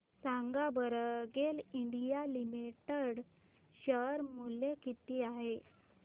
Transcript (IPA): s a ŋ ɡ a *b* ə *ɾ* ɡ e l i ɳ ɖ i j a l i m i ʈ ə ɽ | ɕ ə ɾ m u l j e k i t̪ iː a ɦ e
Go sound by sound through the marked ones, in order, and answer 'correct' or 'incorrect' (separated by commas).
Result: correct, correct